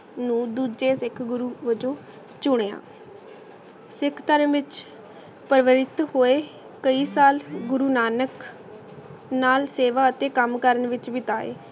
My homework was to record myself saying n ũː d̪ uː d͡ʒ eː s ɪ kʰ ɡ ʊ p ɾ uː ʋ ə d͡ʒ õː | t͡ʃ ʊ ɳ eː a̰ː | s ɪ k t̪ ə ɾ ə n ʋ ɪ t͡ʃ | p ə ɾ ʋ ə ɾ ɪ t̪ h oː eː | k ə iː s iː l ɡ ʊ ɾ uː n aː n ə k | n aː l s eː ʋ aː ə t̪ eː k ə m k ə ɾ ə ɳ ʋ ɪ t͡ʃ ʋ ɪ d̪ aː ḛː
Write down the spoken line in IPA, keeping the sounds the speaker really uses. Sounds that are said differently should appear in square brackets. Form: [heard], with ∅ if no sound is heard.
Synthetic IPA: n ũː d̪ uː d͡ʒ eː s ɪ kʰ ɡ ʊ [∅] ɾ uː ʋ ə d͡ʒ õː | t͡ʃ ʊ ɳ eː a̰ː | s ɪ [kʰ] t̪ ə ɾ ə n ʋ ɪ t͡ʃ | p ə ɾ ʋ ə ɾ ɪ t̪ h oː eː | k ə iː s [aː] l ɡ ʊ ɾ uː n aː n ə k | n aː l s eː ʋ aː ə t̪ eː k ə m k ə ɾ ə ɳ ʋ ɪ t͡ʃ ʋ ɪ [t̪] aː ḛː